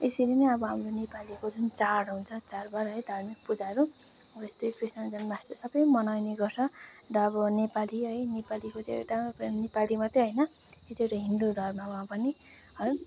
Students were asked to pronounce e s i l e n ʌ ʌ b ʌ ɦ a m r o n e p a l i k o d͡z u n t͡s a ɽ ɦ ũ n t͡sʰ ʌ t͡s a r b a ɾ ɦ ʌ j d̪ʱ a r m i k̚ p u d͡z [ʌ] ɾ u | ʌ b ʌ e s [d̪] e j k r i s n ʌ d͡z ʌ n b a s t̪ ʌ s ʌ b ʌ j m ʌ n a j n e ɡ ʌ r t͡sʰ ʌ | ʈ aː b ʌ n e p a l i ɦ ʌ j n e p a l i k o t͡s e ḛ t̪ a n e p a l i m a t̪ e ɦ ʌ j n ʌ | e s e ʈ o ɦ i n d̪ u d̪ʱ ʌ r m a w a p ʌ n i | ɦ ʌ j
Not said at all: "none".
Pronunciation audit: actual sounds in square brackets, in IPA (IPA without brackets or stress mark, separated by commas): a, t̪